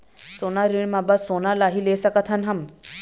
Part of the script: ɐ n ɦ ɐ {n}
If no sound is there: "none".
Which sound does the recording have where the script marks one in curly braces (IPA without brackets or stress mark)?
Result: m